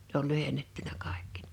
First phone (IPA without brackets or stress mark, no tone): n